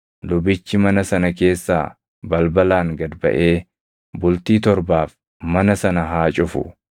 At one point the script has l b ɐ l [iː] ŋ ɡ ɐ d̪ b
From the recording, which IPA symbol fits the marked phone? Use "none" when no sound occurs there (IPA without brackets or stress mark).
aː